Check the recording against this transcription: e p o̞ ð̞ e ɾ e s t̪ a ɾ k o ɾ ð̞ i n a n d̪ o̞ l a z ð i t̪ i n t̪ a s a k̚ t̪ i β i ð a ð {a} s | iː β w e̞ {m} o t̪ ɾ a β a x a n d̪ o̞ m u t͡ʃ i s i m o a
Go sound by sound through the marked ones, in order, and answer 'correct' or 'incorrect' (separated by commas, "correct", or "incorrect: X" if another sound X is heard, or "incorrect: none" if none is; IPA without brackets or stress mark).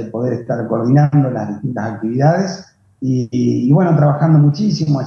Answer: incorrect: e, incorrect: n